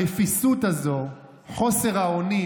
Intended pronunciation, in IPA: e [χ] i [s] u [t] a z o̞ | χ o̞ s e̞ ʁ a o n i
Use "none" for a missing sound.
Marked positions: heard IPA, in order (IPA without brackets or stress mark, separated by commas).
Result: f, s, t